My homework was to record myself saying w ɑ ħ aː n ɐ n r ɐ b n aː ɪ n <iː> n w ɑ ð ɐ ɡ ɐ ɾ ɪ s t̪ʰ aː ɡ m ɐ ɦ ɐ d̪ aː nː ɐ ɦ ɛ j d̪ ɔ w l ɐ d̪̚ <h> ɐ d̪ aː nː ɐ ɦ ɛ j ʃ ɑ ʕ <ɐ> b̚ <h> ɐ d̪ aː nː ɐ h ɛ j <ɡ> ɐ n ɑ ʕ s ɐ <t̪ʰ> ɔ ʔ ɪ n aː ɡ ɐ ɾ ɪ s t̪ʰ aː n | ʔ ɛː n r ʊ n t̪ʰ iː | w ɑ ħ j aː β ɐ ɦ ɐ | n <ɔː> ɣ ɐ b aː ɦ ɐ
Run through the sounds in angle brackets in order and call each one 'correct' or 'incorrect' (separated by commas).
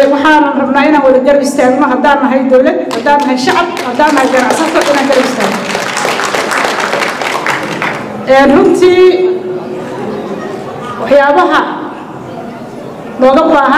incorrect, correct, incorrect, correct, correct, correct, correct